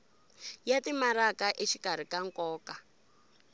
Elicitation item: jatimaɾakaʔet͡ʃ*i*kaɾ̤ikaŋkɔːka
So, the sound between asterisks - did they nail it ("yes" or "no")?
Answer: yes